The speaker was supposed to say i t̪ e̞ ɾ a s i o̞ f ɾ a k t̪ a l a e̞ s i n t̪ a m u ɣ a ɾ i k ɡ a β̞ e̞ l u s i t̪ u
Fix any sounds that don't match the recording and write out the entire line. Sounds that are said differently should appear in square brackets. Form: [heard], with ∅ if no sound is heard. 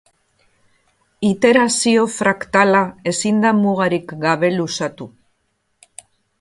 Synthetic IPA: i t̪ e̞ ɾ a s i o̞ f ɾ a k t̪ a l a e̞ s i n [d̪] a m u ɣ a ɾ i k ɡ a β̞ e̞ l u s [a] t̪ u